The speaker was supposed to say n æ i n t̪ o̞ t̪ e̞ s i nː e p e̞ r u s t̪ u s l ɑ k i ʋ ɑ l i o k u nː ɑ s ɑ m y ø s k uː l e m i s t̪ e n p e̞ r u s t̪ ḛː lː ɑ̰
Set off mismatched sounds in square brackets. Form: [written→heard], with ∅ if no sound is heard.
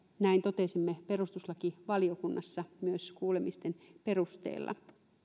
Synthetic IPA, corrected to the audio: n æ i n t̪ o̞ t̪ e̞ s i [nː→mː] e p e̞ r u s t̪ u s l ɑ k i ʋ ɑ l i o k u nː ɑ [s→sː] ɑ m y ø s k uː l e m i s t̪ e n p e̞ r u s t̪ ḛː lː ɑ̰

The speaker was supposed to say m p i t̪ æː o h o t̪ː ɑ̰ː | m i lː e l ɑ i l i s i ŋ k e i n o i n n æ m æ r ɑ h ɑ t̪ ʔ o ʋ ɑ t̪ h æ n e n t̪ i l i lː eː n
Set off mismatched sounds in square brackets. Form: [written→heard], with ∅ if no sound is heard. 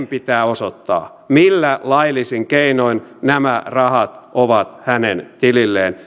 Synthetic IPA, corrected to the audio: m p i t̪ æː o [h→s] o t̪ː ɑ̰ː | m i lː [e→æ] l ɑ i l i s i ŋ k e i n o i n n æ m æ r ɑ h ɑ t̪ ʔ o ʋ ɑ t̪ h æ n e n t̪ i l i lː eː n

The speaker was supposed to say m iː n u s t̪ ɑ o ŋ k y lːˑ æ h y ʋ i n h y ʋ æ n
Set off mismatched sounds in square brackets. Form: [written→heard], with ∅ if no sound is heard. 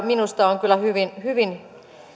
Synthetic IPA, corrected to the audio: m [iː→i] n u s t̪ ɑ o ŋ k y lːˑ æ h y ʋ i n h y ʋ [æ→i] n

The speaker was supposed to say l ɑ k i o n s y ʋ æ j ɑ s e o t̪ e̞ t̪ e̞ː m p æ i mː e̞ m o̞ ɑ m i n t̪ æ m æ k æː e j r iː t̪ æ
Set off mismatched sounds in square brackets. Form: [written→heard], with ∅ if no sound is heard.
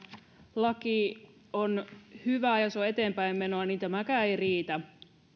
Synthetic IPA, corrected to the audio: l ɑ k i o n [s→h] y ʋ æ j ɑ s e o [t̪→∅] e̞ t̪ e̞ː m p æ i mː e̞ [m→n] o̞ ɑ [m→n] i n t̪ æ m æ k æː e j r iː t̪ æ

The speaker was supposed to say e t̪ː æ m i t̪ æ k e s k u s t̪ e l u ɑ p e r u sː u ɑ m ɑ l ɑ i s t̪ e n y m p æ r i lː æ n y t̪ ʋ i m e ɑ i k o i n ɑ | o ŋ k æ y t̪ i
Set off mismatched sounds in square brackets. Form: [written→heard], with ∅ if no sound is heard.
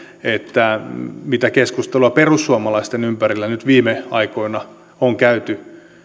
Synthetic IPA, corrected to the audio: e t̪ː æ m i t̪ æ k e s k u s t̪ e l u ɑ p e r u sː u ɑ m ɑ l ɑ i s t̪ e n y m p æ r i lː æ n y t̪ ʋ [i→iː] m e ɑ i k o i n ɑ | o ŋ k æ y t̪ [i→y]

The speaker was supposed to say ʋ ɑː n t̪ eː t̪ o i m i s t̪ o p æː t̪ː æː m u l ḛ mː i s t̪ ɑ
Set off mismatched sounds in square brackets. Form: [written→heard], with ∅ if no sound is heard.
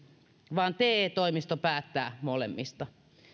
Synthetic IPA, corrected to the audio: ʋ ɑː n t̪ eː t̪ o i m i s t̪ o p æː t̪ː æː m [u→o] l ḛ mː i s t̪ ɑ

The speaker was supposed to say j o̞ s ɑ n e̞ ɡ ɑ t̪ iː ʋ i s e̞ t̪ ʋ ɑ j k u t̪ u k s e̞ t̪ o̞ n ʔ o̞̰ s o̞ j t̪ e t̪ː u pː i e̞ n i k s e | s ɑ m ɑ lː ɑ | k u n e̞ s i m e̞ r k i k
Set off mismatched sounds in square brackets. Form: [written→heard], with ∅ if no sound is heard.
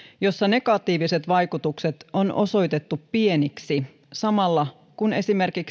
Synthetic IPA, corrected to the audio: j o̞ [s→sː] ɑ n e̞ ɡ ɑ t̪ iː ʋ i s e̞ t̪ ʋ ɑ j k u t̪ u k s e̞ t̪ o̞ n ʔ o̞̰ s o̞ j t̪ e t̪ː u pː i e̞ n i k s [e→i] | s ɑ m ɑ lː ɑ | k u n e̞ s i m e̞ r k i k

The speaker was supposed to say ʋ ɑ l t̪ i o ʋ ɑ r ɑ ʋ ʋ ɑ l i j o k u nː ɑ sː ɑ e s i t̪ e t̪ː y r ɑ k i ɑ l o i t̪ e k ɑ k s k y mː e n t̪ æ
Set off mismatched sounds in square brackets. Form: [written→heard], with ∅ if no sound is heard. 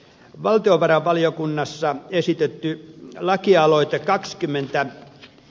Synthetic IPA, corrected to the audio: ʋ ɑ l t̪ i o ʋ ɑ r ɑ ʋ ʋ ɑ l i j o k u nː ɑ sː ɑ e s i t̪ e t̪ː y [r→l] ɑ k i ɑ l o i t̪ e k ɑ k s k y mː e n t̪ æ

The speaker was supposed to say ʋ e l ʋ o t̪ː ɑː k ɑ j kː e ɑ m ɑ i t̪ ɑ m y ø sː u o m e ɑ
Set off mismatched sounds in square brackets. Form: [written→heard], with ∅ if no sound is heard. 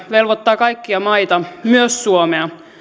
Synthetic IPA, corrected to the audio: ʋ e l ʋ o t̪ː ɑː k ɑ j kː [e→i] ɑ m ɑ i t̪ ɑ m y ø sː u o m e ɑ

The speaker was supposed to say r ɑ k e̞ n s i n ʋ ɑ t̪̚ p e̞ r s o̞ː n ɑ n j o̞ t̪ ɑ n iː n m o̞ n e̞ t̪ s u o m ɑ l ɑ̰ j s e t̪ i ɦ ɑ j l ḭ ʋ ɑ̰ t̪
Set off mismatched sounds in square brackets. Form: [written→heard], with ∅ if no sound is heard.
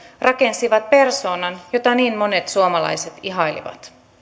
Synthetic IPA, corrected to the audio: r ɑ k e̞ n s i [n→∅] ʋ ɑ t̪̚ p e̞ r s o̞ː n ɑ n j o̞ t̪ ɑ n iː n m o̞ n e̞ t̪ s u o m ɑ l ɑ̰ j s e t̪ i ɦ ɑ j l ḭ ʋ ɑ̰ t̪

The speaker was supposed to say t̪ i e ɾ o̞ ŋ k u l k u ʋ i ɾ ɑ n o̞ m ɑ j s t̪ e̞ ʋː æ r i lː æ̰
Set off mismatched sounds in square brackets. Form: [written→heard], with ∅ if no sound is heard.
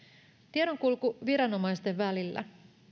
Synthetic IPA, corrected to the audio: t̪ i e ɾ o̞ ŋ k u l k u ʋ i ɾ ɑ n o̞ m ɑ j s t̪ e̞ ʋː æ [r→l] i lː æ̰

